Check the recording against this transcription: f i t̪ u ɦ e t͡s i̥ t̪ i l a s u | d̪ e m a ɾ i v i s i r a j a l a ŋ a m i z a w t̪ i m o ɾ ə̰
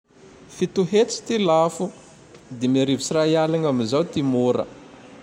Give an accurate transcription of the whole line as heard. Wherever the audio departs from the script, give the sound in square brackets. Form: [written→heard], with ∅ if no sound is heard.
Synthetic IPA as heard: f i t̪ u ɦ e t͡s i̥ t̪ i l a [s→f] u | d̪ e m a ɾ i v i s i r a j a l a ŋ a m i z a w t̪ i m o ɾ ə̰